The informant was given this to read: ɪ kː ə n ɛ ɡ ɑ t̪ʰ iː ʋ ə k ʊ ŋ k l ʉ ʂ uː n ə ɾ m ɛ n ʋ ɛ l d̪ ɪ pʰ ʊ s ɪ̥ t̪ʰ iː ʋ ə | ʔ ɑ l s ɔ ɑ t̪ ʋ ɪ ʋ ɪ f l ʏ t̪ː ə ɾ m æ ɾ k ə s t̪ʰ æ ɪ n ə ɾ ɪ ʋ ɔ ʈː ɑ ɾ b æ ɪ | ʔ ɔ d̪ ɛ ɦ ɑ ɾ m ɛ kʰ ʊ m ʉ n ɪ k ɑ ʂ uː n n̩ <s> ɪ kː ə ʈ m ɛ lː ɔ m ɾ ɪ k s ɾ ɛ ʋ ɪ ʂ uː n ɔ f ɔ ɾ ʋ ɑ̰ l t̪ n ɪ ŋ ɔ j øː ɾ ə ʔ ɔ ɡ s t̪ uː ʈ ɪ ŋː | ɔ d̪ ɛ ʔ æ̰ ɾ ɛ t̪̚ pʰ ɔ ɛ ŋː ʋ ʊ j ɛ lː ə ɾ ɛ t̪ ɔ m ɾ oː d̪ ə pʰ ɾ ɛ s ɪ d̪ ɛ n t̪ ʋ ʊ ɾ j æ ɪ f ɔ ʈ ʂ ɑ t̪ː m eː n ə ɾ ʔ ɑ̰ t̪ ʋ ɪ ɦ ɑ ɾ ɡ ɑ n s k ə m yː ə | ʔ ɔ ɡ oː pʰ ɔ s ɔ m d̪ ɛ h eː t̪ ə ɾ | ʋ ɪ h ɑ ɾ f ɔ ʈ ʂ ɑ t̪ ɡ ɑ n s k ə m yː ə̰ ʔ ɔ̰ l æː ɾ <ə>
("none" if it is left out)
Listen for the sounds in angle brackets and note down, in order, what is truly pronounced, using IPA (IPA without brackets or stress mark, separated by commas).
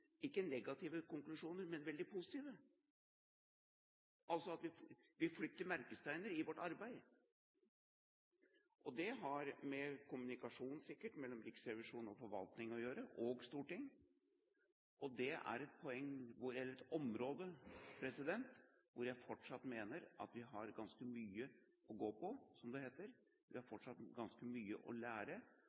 s, ə